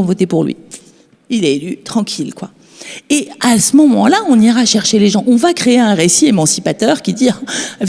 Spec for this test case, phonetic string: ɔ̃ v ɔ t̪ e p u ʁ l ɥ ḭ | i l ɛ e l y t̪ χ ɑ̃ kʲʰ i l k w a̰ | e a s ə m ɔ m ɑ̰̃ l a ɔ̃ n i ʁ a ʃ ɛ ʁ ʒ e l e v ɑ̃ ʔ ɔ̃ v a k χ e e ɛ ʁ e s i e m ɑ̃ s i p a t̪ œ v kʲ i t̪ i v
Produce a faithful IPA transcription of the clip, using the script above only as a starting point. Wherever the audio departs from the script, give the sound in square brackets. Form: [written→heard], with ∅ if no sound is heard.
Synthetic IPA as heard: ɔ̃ v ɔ t̪ e p u ʁ l ɥ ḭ | i l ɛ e l y t̪ χ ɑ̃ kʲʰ i l k w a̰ | e a s ə m ɔ m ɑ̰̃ l a ɔ̃ n i ʁ a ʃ ɛ ʁ [ʒ→ʃ] e l e [v→ʒ] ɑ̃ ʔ ɔ̃ v a k χ e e [ɛ→ɛ̃] ʁ e s i e m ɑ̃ s i p a t̪ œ [v→ʁ] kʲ i [t̪→d̪] i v